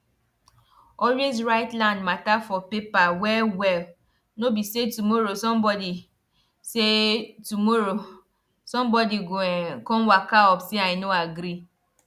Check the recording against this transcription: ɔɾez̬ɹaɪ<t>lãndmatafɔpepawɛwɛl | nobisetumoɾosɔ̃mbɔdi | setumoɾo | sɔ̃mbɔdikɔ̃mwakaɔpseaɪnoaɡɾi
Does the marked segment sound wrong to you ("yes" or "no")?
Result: no